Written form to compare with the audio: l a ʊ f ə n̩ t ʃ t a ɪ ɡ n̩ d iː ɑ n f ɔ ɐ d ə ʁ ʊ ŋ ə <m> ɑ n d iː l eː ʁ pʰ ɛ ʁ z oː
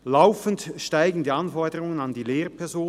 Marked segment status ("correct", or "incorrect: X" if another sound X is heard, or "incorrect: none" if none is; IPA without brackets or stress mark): incorrect: n